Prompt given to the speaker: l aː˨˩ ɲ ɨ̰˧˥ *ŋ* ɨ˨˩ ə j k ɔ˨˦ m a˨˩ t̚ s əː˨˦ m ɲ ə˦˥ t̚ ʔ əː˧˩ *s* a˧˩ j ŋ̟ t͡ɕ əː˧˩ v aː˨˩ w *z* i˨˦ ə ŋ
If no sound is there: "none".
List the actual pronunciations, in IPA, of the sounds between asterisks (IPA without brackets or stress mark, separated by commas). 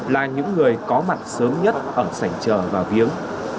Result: ŋː, s, v